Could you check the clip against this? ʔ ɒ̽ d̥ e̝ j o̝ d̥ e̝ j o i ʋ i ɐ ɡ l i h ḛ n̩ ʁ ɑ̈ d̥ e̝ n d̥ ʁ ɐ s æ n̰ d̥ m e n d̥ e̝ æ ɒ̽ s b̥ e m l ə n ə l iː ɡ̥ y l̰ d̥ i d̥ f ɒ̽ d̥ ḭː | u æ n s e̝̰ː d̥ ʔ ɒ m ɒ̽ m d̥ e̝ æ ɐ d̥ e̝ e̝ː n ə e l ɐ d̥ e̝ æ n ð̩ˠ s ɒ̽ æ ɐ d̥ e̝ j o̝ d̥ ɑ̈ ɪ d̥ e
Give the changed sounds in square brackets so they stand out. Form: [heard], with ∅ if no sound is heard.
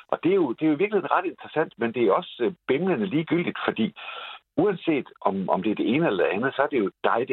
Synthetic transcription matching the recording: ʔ ɒ̽ d̥ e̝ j o̝ d̥ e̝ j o i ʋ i ɐ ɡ l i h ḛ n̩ ʁ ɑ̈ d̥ e̝ n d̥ ʁ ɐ s æ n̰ d̥ m e n d̥ e̝ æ ɒ̽ s b̥ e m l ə n ə l iː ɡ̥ y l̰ d̥ i d̥ f ɒ̽ d̥ ḭː | u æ n s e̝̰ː d̥ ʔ ɒ m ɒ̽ m d̥ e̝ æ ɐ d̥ e̝ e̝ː n ə e l ɐ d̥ e̝ æ n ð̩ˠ s ɒ̽ æ ɐ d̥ e̝ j o̝ d̥ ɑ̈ ɪ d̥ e